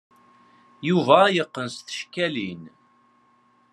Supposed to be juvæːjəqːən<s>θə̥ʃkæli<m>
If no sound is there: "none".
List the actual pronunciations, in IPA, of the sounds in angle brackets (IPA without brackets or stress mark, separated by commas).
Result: s, n